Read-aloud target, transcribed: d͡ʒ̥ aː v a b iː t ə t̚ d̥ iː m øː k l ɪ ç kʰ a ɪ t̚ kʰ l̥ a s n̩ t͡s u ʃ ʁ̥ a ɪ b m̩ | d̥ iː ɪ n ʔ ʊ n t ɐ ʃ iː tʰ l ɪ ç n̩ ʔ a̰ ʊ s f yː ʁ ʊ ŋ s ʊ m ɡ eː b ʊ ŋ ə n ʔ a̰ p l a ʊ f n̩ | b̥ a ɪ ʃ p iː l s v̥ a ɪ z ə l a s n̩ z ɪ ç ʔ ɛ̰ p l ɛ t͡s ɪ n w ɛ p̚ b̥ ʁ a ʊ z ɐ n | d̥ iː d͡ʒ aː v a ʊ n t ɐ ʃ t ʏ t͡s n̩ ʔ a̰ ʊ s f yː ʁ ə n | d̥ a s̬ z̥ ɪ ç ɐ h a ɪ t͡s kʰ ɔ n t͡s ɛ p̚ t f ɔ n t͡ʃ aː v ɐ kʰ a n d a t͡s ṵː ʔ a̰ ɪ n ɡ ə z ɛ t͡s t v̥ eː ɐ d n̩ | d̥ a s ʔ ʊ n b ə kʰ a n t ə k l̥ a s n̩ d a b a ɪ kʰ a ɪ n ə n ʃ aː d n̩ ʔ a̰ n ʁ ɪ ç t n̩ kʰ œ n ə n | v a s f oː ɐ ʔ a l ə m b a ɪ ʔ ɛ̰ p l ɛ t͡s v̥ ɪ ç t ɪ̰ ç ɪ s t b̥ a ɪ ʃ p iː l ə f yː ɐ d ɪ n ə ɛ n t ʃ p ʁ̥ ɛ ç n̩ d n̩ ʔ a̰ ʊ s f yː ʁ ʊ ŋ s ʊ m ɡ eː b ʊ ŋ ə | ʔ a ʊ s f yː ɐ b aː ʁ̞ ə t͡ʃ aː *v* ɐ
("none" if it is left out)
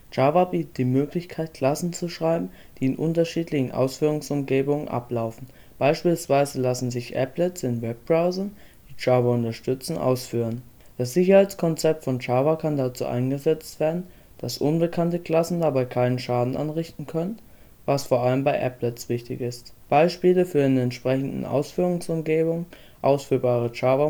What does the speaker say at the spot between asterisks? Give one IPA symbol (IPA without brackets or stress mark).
v